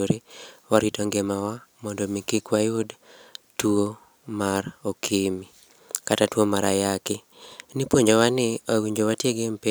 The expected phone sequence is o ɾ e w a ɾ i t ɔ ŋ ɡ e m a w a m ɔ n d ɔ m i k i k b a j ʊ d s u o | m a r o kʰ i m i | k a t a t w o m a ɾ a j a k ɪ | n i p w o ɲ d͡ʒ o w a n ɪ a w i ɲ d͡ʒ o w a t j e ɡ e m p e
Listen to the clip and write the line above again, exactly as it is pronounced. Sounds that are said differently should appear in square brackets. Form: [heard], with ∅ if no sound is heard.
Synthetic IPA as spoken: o ɾ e w a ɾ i t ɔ ŋ ɡ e m a w a m ɔ n d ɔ m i k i k [w] a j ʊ d [t] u o | m a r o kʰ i m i | k a t a t w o m a ɾ a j a k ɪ | n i p w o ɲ d͡ʒ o w a n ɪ a w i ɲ d͡ʒ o w a t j e ɡ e m p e